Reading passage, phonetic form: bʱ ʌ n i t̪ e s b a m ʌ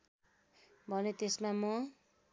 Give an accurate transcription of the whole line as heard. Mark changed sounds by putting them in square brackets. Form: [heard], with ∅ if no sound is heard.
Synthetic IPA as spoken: bʱ ʌ n [e] t̪ e s [m] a m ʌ